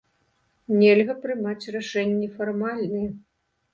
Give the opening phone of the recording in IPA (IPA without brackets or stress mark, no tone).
nʲ